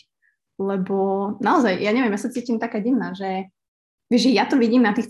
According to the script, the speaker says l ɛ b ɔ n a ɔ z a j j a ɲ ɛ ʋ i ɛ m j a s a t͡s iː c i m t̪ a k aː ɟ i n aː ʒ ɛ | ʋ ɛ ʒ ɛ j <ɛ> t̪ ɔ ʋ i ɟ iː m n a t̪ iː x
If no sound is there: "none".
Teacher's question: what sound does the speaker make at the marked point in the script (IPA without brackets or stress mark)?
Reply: a